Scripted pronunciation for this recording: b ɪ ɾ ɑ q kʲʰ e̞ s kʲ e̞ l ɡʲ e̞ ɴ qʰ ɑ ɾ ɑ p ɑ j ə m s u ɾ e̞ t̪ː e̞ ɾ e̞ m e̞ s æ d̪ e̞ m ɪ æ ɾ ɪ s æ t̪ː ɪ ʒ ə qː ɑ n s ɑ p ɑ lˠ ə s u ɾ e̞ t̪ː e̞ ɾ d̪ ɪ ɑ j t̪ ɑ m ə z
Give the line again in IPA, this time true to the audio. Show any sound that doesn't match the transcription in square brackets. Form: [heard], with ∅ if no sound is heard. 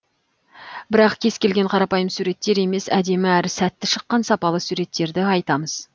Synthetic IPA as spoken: b ɪ ɾ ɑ q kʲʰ e̞ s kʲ e̞ l ɡʲ e̞ ɴ qʰ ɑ ɾ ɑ p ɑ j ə m s u ɾ e̞ t̪ː e̞ ɾ e̞ m e̞ s æ d̪ e̞ m ɪ æ ɾ ɪ s æ t̪ː ɪ [ʃ] ə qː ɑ n s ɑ p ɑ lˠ ə s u ɾ e̞ t̪ː e̞ ɾ d̪ ɪ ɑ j t̪ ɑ m ə z

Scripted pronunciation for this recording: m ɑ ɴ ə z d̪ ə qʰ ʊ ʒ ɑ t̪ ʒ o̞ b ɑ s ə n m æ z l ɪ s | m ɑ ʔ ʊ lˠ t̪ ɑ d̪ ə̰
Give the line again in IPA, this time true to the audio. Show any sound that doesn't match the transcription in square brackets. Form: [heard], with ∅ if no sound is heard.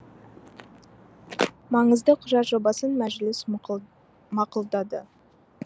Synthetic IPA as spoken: m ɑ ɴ ə z d̪ ə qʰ ʊ ʒ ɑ t̪ ʒ o̞ b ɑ s ə n m æ [ʒ] l ɪ s | m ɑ [q] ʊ lˠ [d̪] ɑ d̪ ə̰

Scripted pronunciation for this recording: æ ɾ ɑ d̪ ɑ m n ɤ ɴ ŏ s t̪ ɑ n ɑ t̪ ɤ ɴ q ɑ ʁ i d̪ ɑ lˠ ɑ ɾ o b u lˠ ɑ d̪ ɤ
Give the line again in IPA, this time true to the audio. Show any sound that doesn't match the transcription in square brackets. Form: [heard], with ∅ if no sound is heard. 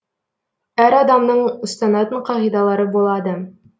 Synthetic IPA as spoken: æ ɾ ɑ d̪ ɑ m n ɤ ɴ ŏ s t̪ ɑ n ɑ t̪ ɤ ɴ q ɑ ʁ i d̪ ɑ lˠ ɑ ɾ [ɤ] b u lˠ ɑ d̪ ɤ

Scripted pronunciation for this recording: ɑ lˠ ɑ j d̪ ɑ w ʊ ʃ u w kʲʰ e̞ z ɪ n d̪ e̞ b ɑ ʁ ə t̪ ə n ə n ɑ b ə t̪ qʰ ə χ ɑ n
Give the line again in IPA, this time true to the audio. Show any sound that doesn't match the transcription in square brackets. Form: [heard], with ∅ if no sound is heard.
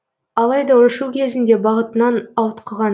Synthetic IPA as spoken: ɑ lˠ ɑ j d̪ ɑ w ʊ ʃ u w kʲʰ e̞ z ɪ n d̪ e̞ b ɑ ʁ ə t̪ ə n [ɑ] n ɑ [w] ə t̪ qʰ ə [ʁ] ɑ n

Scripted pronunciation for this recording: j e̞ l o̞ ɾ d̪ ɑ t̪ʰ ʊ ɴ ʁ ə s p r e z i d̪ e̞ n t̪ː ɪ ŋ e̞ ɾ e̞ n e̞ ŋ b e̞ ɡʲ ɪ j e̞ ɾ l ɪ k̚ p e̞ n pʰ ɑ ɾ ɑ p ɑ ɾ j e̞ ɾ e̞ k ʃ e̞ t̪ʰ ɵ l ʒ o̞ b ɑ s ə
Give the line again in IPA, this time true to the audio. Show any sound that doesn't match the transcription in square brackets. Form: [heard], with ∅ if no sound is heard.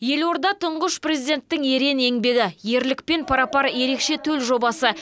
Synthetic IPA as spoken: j e̞ l o̞ ɾ d̪ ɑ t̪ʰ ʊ ɴ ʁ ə [ʃ] p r e z i d̪ e̞ n t̪ː ɪ ŋ e̞ ɾ e̞ n e̞ ŋ b e̞ ɡʲ ɪ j e̞ ɾ l ɪ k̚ p e̞ n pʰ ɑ ɾ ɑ p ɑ ɾ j e̞ ɾ e̞ k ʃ e̞ t̪ʰ ɵ l ʒ o̞ b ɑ s ə

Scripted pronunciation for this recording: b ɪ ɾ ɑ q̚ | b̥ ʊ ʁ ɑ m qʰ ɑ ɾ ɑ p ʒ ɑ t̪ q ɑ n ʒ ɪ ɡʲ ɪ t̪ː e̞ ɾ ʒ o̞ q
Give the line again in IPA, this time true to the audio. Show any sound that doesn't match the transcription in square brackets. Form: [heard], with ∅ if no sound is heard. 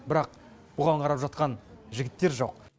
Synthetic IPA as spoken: b ɪ ɾ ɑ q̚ | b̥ ʊ ʁ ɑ [ɴ] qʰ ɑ ɾ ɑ p ʒ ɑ t̪ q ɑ n ʒ ɪ ɡʲ ɪ t̪ː e̞ ɾ ʒ o̞ q

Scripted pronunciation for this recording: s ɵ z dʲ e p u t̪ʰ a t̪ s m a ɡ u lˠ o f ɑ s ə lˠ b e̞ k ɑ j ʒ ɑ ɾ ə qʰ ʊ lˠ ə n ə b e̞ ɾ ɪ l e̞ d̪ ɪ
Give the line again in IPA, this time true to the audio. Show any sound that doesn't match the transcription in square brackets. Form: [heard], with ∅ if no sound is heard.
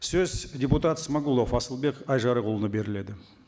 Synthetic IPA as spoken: s ɵ z dʲ e p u [t̪] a t̪ s m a ɡ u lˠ o f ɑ s ə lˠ b e̞ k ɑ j ʒ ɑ ɾ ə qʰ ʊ lˠ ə n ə b e̞ ɾ ɪ l e̞ d̪ ɪ

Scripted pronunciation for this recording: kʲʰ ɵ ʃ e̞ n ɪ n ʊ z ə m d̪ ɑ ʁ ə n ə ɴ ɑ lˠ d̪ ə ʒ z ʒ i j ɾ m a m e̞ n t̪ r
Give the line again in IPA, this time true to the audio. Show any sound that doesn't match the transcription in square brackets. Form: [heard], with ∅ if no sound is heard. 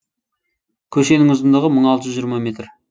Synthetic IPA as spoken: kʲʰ ɵ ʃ e̞ n ɪ [ŋ] ʊ z ə [n] d̪ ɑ ʁ ə [m] ə ɴ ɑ lˠ [t̪] ə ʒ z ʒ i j ɾ m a m e̞ [∅] t̪ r

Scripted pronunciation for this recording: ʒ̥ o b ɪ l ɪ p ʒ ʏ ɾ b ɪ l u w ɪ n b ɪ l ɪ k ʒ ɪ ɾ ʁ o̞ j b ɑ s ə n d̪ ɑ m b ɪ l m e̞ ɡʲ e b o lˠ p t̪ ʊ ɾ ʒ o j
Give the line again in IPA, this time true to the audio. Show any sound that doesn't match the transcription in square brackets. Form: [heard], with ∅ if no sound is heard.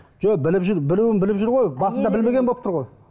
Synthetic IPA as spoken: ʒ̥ o b ɪ l ɪ p ʒ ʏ ɾ b ɪ l u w ɪ n b ɪ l ɪ [p] ʒ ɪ ɾ ʁ o̞ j b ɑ s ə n d̪ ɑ [∅] b ɪ l m e̞ ɡʲ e b o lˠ p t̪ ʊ ɾ [ʁ] o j

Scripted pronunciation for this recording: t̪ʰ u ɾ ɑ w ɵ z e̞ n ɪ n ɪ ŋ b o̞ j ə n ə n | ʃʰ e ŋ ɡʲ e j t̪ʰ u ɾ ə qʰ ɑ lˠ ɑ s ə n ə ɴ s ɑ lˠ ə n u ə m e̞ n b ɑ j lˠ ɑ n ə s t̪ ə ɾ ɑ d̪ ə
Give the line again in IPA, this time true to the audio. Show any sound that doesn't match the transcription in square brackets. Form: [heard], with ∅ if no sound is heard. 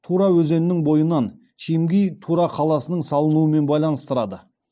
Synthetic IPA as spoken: t̪ʰ u ɾ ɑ w ɵ z e̞ n ɪ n ɪ ŋ b o̞ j ə n [ɑ] n | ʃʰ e [m] ɡʲ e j t̪ʰ u ɾ [ɑ] qʰ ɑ lˠ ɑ s ə n ə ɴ s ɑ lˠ ə n u ə m e̞ n b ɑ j lˠ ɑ n ə s t̪ ə ɾ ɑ d̪ ə

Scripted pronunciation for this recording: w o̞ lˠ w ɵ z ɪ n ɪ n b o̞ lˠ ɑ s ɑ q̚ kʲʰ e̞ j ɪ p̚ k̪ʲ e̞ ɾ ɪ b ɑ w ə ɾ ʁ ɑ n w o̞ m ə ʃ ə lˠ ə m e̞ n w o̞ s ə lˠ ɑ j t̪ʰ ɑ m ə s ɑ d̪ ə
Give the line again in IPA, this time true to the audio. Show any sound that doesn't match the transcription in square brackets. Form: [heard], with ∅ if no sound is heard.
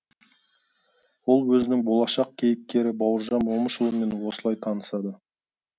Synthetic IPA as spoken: w o̞ lˠ w ɵ z ɪ n ɪ [ŋ] b o̞ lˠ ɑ [ʃ] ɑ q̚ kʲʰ e̞ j ɪ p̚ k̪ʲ e̞ ɾ ɪ b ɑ w ə ɾ [ʒ] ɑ n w o̞ m ə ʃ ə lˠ ə m e̞ n w o̞ s ə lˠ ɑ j t̪ʰ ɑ [n] ə s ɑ d̪ ə

